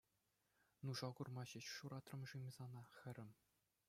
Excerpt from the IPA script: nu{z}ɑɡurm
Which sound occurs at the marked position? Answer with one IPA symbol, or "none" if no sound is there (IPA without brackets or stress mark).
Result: ʐ